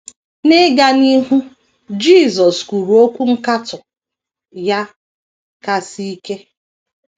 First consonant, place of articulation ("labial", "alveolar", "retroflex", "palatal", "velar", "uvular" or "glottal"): alveolar